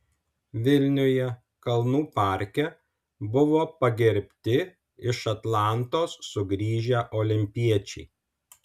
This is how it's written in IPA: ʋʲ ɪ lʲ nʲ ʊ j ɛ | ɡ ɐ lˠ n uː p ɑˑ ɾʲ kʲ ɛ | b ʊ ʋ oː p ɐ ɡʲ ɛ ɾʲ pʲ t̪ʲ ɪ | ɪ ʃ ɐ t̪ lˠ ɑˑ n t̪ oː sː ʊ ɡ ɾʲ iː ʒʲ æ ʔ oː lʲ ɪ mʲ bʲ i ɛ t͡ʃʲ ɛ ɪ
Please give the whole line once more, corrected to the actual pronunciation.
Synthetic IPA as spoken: ʋʲ ɪ lʲ nʲ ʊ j ɛ | k ɐ lˠ n uː p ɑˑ ɾʲ kʲ ɛ | b ʊ ʋ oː p ɐ ɡʲ ɛ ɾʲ pʲ t̪ʲ ɪ | ɪ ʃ ɐ t̪ lˠ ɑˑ n t̪ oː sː ʊ ɡ ɾʲ iː ʒʲ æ ʔ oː lʲ ɪ mʲ pʲ i ɛ t͡ʃʲ ɛ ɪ

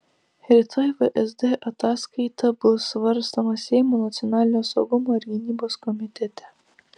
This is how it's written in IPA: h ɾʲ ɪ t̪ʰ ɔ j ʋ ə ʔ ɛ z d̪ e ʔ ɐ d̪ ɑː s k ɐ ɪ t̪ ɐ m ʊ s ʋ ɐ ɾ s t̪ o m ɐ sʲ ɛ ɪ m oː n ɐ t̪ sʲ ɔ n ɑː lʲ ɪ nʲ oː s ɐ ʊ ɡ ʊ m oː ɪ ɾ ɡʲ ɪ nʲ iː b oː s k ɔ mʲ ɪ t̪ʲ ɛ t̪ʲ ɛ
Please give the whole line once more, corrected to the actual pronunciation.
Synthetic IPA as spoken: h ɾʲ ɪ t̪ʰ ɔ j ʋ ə ʔ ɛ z d̪ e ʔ ɐ t̪ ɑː s k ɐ ɪ t̪ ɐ b ʊ s ʋ ɐ ɾ s t̪ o m ɐ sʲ ɛ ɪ m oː n ɐ t̪ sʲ ɔ n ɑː lʲ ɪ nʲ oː s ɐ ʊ ɡ ʊ m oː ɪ ɾ ɡʲ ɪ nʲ iː b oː s k ɔ mʲ ɪ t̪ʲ ɛ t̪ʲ ɛ

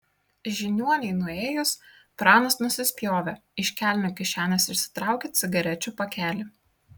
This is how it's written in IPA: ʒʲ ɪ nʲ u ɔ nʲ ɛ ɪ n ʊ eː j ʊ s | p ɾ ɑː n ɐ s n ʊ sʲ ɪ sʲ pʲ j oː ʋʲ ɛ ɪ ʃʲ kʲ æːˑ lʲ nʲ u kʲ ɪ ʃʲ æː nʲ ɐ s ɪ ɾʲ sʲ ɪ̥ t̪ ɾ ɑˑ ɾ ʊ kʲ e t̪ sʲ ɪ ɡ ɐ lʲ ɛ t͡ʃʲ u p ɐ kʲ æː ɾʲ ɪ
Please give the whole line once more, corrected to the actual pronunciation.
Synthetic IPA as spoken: ʒʲ ɪ nʲ u ɔ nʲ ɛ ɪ n ʊ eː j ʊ s | p ɾ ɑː n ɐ s n ʊ sʲ ɪ sʲ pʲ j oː ʋʲ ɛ ɪ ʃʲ kʲ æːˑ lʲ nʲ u kʲ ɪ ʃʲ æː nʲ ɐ s ɪ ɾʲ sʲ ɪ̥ t̪ ɾ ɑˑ ʊ kʲ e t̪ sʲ ɪ ɡ ɐ ɾʲ ɛ t͡ʃʲ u p ɐ kʲ æː lʲ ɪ

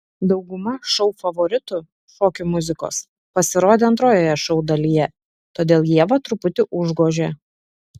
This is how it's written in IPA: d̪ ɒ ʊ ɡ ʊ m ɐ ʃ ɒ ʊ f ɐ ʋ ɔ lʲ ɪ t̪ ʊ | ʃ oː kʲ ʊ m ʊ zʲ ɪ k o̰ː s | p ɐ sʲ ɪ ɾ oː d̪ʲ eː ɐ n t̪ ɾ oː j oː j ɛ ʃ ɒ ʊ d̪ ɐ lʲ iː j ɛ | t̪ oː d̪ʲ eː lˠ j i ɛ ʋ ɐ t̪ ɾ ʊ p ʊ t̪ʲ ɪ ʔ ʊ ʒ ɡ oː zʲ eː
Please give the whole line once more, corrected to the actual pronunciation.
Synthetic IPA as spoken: d̪ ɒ ʊ ɡ ʊ m ɐ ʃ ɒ ʊ f ɐ ʋ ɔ ɾʲ ɪ t̪ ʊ | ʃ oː kʲ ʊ m ʊ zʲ ɪ k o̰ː s | p ɐ sʲ ɪ ɾ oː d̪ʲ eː ɐ n t̪ ɾ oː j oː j ɛ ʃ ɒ ʊ d̪ ɐ lʲ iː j ɛ | t̪ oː d̪ʲ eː lˠ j i ɛ ʋ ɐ t̪ ɾ ʊ p ʊ t̪ʲ ɪ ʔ ʊ ʒ ɡ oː ʒʲ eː

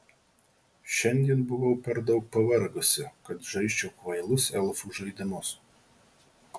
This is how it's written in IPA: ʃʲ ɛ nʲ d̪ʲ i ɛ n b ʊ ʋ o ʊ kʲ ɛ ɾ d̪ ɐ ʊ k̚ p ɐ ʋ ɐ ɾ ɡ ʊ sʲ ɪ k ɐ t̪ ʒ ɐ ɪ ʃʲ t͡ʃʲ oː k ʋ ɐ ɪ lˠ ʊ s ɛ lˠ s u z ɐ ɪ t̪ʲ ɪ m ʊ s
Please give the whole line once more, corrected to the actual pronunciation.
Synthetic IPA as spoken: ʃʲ ɛ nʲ d̪ʲ i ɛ n b ʊ ʋ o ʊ pʲ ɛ ɾ d̪ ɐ ʊ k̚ p ɐ ʋ ɐ ɾ ɡ ʊ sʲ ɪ k ɐ t̪ ʒ ɐ ɪ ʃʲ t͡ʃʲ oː k ʋ ɐ ɪ lˠ ʊ s ɛ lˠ f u ʒ ɐ ɪ d̪ʲ ɪ m ʊ s

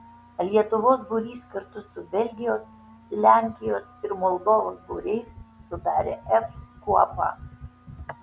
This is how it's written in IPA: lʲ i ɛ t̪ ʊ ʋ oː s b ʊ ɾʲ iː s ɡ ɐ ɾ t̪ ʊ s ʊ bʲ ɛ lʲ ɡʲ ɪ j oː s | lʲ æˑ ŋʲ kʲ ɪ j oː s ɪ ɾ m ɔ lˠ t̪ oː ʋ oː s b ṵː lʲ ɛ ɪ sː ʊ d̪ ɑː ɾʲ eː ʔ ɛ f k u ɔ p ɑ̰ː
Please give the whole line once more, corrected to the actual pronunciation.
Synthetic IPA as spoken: lʲ i ɛ t̪ ʊ ʋ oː s b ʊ ɾʲ iː s k ɐ ɾ t̪ ʊ s ʊ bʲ ɛ lʲ ɡʲ ɪ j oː s | lʲ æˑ ŋʲ kʲ ɪ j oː s ɪ ɾ m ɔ lˠ d̪ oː ʋ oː s b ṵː ɾʲ ɛ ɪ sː ʊ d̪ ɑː ɾʲ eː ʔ ɛ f k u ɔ p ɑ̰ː

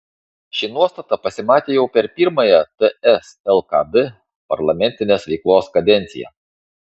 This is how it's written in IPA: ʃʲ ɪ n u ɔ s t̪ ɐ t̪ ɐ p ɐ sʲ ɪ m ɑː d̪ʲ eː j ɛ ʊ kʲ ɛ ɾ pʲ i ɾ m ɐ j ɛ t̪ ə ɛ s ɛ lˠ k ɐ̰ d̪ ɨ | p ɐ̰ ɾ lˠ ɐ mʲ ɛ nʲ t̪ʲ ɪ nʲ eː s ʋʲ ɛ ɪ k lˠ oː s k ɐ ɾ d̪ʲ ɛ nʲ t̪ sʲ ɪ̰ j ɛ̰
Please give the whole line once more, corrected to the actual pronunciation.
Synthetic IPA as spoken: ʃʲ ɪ n u ɔ s t̪ ɐ t̪ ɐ p ɐ sʲ ɪ m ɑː t̪ʲ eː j ɛ ʊ pʲ ɛ ɾ pʲ i ɾ m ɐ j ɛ t̪ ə ɛ s ɛ lˠ k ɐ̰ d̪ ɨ | p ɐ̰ ɾ lˠ ɐ mʲ ɛ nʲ t̪ʲ ɪ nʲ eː s ʋʲ ɛ ɪ k lˠ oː s k ɐ d̪ʲ ɛ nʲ t̪ sʲ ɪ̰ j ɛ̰

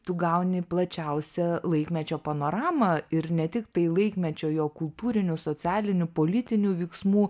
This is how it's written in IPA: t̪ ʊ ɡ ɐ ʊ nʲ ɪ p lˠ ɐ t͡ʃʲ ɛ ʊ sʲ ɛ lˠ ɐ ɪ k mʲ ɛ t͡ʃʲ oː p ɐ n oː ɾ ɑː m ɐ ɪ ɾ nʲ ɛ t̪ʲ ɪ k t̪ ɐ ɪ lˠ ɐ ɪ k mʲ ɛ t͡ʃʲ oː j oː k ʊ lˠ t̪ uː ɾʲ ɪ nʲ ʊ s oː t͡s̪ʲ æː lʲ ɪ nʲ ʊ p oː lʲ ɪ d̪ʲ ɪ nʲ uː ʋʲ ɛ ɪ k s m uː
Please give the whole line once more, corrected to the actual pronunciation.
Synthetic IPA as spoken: t̪ ʊ ɡ ɐ ʊ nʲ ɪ p lˠ ɐ t͡ʃʲ ɛ ʊ sʲ ɛ lˠ ɐ ɪ k mʲ ɛ t͡ʃʲ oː p ɐ n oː ɾ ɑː m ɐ ɪ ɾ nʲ ɛ t̪ʲ ɪ k t̪ ɐ ɪ lˠ ɐ ɪ k mʲ ɛ t͡ʃʲ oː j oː k ʊ lˠ t̪ uː ɾʲ ɪ nʲ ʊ s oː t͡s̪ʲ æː lʲ ɪ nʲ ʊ p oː lʲ ɪ t̪ʲ ɪ nʲ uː ʋʲ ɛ ɪ k s m uː

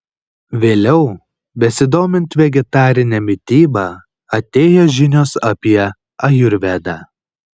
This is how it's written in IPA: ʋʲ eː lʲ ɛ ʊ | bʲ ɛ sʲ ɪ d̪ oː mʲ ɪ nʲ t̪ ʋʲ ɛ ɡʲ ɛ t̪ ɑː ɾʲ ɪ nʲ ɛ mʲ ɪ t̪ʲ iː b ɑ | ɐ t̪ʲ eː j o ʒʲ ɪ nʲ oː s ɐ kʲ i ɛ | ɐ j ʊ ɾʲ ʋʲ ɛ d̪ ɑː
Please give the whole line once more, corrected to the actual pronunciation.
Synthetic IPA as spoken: ʋʲ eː lʲ ɛ ʊ | bʲ ɛ sʲ ɪ d̪ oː mʲ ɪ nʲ t̪ ʋʲ ɛ ɡʲ ɛ t̪ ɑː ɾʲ ɪ nʲ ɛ mʲ ɪ t̪ʲ iː b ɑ | ɐ t̪ʲ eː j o ʒʲ ɪ nʲ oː s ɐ pʲ i ɛ | ɐ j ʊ ɾʲ ʋʲ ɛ d̪ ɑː

